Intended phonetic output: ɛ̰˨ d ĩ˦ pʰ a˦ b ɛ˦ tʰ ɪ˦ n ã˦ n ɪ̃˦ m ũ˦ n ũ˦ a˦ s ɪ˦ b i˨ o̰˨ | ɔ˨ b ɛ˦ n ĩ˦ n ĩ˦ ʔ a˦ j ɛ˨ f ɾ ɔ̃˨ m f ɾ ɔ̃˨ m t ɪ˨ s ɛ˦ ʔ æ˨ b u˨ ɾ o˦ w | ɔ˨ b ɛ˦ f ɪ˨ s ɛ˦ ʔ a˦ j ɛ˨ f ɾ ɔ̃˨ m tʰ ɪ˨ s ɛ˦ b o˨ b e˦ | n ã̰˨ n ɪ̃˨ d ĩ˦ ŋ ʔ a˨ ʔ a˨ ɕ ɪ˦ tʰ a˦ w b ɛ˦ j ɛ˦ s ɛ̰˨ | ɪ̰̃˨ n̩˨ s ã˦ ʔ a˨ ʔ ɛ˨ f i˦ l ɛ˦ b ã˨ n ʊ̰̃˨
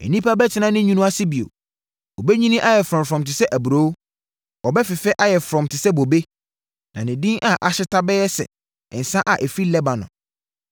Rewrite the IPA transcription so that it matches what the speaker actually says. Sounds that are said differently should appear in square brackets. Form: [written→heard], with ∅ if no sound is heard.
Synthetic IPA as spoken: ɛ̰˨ [d→n] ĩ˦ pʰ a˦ b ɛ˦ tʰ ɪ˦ n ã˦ n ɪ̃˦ [m→ɲ] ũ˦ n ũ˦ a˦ s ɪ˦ b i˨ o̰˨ | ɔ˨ b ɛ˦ [n→ɲ] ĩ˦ n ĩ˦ ʔ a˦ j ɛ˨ f ɾ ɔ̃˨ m f ɾ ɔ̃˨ m t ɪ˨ s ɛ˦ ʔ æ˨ b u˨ ɾ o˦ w | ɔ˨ b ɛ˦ f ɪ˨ [s→f] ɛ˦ ʔ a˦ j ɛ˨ f ɾ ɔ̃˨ m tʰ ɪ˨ s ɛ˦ b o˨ b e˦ | n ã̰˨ n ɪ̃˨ d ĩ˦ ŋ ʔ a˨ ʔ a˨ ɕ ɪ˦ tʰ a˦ [w→∅] b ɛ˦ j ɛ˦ s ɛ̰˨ | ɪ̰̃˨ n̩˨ s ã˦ ʔ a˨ ʔ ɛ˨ f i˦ l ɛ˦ b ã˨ n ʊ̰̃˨